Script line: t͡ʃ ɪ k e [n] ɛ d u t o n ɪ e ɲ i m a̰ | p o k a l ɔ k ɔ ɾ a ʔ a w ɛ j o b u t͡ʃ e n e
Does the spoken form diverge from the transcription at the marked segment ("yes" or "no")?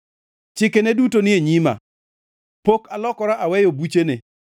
no